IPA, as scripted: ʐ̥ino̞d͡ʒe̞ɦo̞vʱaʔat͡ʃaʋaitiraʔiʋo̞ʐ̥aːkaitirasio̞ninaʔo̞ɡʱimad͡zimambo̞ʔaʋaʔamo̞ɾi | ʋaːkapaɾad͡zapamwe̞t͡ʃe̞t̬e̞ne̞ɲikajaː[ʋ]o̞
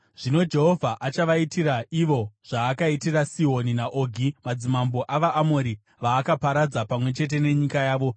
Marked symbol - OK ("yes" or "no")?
yes